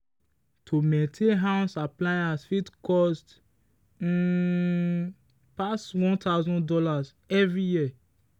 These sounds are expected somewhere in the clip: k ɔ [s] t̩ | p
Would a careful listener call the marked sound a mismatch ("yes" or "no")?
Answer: no